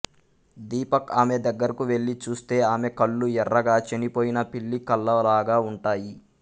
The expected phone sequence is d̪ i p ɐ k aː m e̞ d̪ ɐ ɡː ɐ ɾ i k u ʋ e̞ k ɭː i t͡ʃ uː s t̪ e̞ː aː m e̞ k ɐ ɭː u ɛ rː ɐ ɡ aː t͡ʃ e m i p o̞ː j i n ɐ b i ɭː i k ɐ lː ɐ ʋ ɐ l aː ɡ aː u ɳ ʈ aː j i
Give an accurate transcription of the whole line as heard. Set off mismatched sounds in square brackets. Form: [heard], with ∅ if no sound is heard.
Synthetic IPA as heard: d̪ [iː] p ɐ k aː m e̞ d̪ ɐ ɡː ɐ ɾ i k u ʋ e̞ [∅] ɭː i t͡ʃ uː s t̪ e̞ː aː m e̞ k ɐ ɭː u ɛ rː ɐ ɡ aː t͡ʃ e [n] i p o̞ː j i n ɐ [p] i ɭː i k ɐ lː ɐ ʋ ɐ l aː ɡ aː u ɳ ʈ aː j i